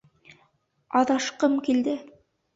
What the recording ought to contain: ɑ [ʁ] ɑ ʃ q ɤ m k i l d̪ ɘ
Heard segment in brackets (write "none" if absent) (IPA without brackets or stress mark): ð